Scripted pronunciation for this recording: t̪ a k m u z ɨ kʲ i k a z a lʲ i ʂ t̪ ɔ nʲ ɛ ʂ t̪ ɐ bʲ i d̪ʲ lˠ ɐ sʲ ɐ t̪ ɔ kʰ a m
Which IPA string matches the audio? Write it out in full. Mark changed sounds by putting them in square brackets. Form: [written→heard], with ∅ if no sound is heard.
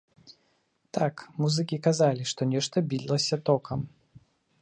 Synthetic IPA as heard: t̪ a k m u z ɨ kʲ i k a z a lʲ i ʂ t̪ ɔ nʲ ɛ ʂ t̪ ɐ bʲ i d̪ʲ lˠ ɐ sʲ ɐ t̪ ɔ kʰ [a→ɐ] m